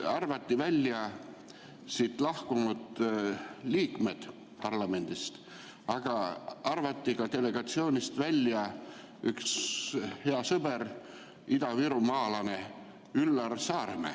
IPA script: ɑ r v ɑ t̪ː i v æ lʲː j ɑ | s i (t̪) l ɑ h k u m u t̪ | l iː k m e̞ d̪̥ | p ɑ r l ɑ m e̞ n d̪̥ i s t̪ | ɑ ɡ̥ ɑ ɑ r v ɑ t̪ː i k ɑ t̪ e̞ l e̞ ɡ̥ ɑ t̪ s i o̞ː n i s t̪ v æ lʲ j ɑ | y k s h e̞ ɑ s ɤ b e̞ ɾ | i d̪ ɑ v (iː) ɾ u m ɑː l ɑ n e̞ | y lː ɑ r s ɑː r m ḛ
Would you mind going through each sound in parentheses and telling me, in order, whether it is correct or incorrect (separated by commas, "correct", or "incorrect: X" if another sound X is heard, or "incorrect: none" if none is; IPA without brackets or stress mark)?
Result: correct, incorrect: i